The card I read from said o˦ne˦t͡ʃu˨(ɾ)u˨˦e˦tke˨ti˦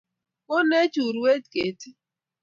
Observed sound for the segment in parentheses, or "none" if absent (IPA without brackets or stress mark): ɾ